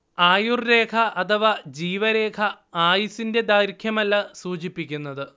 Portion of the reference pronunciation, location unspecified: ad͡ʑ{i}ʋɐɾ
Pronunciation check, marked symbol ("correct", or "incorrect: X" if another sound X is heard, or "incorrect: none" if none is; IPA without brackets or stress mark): incorrect: iː